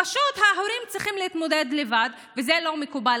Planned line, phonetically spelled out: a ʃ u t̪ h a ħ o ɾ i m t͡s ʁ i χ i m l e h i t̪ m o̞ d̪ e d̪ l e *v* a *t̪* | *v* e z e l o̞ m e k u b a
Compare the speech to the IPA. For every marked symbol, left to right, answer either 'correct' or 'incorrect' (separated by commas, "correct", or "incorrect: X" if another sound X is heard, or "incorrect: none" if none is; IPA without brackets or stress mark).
correct, incorrect: d̪, correct